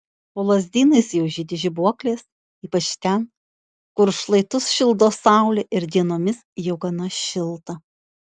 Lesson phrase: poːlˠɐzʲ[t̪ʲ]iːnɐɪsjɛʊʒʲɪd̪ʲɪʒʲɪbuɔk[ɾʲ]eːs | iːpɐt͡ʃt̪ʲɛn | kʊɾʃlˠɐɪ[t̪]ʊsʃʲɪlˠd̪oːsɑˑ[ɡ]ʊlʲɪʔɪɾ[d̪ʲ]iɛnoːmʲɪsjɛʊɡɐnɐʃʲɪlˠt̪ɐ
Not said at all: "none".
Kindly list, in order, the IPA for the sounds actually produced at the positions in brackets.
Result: d̪ʲ, lʲ, t̪, none, d̪ʲ

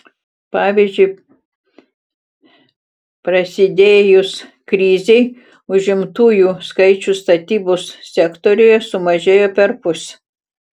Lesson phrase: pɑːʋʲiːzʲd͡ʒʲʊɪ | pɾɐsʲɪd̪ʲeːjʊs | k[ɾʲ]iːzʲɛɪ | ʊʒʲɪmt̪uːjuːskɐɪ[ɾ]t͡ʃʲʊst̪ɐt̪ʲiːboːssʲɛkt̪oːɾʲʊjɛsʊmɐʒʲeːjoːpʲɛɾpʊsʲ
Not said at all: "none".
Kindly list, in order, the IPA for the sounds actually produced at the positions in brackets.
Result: ɾʲ, none

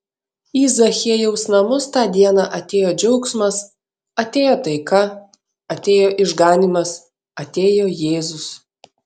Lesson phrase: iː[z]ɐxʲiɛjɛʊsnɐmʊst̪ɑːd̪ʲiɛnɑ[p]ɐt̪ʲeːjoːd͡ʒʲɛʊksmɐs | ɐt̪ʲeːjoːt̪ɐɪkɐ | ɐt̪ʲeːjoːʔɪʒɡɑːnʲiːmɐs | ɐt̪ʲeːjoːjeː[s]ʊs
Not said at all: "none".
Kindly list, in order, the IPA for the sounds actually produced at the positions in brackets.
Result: z, ʔ, z

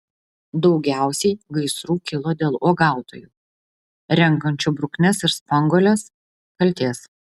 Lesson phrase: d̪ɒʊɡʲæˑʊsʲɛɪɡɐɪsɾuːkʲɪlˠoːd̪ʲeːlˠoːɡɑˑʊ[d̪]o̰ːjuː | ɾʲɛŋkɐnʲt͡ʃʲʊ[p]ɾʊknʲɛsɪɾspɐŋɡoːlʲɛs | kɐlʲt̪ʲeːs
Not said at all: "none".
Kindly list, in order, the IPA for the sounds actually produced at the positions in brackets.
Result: t̪, b

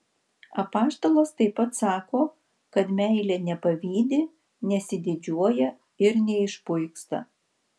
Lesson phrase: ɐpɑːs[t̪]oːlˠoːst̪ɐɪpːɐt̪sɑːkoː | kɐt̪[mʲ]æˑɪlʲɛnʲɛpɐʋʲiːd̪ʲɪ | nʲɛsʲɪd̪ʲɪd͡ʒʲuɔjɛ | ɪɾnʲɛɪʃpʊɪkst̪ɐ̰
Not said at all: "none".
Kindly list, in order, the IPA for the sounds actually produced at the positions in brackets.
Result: t̪, mʲ

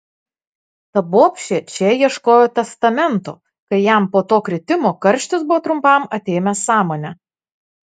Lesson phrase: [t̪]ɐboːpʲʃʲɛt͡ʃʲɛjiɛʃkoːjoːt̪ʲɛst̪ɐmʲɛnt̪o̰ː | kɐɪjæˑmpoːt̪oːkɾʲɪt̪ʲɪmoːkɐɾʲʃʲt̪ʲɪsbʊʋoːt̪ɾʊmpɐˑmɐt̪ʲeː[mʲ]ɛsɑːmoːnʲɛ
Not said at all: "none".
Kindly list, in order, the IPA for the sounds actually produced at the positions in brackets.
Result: t̪, mʲ

